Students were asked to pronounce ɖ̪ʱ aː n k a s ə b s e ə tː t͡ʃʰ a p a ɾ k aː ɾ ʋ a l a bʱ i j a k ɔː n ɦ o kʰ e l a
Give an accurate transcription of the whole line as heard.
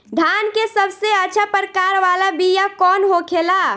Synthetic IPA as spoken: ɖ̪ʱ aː n k e s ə b s e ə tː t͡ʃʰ a p ə ɾ k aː ɾ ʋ a l a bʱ i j a k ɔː n ɦ o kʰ e l a